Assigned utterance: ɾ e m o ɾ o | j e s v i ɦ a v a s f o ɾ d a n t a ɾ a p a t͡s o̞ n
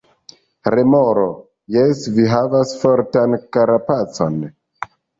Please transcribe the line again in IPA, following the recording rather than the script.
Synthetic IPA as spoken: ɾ e m o ɾ o | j e s v i ɦ a v a s f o ɾ t a n k a ɾ a p a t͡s o̞ n